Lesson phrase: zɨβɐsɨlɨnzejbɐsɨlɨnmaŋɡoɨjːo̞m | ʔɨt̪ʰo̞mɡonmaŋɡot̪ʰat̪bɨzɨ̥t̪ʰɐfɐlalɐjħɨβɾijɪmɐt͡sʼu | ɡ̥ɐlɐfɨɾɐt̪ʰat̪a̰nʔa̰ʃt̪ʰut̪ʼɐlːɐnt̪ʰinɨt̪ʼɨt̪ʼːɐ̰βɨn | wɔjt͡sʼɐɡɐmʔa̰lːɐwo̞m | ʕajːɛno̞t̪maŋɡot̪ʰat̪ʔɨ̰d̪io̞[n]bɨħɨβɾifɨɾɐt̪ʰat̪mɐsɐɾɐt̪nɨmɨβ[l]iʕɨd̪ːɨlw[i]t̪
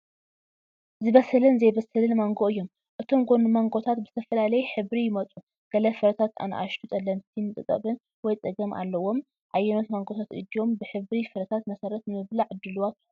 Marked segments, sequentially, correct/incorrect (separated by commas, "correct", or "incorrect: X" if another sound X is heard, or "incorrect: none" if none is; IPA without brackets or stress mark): incorrect: m, correct, incorrect: a